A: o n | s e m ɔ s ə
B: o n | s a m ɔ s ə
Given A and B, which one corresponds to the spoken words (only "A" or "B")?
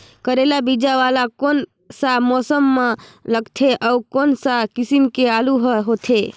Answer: B